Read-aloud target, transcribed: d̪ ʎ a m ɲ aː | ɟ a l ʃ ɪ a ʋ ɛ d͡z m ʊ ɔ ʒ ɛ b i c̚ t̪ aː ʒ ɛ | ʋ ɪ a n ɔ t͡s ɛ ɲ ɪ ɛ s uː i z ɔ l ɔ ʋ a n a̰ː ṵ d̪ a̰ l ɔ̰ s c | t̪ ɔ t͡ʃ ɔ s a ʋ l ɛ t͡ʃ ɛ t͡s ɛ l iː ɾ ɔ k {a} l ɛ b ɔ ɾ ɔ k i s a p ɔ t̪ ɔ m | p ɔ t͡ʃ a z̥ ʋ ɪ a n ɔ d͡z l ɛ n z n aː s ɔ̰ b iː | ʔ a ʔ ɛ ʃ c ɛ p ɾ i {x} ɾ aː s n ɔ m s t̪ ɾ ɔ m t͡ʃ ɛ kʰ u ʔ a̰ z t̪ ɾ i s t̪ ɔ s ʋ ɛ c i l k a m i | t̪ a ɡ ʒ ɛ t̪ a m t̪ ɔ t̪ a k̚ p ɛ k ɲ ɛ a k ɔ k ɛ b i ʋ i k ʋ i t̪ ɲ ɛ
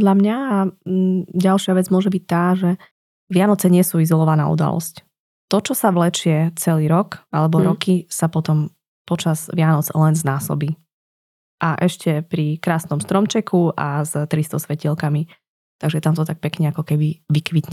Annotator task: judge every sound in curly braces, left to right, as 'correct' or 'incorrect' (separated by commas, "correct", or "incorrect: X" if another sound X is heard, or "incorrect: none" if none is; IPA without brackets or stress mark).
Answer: correct, incorrect: k